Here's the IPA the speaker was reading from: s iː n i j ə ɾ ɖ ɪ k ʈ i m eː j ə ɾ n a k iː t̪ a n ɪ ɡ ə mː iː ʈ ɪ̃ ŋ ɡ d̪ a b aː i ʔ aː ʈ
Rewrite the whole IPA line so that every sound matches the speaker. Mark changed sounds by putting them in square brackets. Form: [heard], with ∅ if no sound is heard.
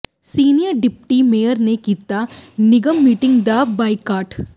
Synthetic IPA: s iː n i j ə ɾ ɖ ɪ [p] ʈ i m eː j ə ɾ n [e] k iː t̪ a n ɪ ɡ ə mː iː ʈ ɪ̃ ŋ ɡ d̪ a b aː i [k] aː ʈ